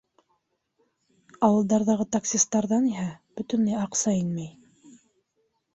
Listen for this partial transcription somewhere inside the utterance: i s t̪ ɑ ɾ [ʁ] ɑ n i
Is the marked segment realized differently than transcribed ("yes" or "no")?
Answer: yes